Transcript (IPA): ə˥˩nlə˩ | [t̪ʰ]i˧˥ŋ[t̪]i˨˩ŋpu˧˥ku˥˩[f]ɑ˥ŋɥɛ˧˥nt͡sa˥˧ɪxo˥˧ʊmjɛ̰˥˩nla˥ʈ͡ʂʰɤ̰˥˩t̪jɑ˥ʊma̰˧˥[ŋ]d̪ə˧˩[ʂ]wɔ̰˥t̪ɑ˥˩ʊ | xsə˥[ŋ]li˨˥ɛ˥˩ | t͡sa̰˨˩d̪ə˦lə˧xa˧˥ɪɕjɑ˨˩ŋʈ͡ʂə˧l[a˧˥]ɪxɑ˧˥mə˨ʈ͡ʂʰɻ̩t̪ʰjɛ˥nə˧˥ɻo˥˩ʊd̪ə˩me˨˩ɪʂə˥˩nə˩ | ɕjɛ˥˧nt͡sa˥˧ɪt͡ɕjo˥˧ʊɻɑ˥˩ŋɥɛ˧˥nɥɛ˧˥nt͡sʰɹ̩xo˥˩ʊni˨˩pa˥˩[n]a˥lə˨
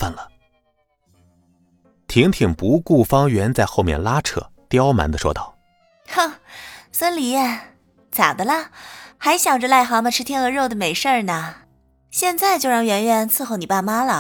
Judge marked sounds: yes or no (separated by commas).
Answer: yes, no, yes, no, yes, no, no, no